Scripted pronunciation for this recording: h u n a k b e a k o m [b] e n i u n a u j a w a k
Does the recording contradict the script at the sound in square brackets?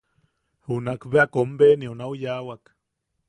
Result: no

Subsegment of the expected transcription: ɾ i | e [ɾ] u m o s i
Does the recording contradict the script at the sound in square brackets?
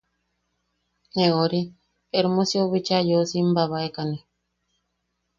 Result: no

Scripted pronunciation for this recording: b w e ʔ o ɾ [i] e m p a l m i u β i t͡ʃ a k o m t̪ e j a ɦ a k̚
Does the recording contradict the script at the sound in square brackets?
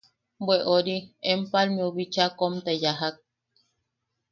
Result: no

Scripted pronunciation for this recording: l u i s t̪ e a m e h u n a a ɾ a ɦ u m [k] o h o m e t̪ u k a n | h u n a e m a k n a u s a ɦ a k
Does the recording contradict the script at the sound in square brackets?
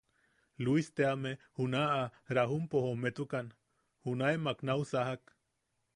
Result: yes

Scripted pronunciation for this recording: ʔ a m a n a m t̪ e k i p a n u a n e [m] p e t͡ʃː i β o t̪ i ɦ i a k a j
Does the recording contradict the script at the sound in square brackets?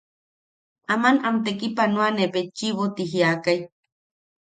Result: yes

